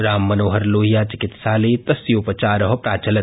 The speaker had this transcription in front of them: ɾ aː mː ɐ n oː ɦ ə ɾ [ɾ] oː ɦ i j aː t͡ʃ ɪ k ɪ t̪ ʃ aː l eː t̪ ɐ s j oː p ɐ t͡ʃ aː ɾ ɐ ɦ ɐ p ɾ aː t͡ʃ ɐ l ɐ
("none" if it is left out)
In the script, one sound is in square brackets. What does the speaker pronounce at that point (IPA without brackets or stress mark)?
l